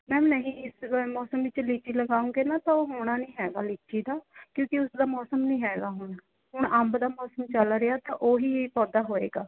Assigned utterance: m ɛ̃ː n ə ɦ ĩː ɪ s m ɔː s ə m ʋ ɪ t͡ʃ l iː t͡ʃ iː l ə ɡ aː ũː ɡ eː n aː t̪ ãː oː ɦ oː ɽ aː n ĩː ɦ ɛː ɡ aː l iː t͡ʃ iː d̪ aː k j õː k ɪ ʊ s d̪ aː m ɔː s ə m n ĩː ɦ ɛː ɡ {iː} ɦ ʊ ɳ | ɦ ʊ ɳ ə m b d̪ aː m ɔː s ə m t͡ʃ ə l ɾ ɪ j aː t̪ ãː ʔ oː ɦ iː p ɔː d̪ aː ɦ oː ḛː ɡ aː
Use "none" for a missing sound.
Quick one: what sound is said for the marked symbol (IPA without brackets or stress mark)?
aː